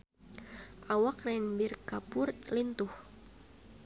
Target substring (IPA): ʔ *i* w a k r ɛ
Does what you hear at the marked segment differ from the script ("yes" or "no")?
yes